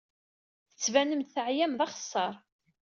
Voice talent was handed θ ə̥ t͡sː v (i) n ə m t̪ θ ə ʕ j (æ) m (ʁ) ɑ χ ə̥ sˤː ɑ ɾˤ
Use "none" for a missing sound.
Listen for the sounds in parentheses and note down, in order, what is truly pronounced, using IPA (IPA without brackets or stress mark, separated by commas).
æ, æ, ð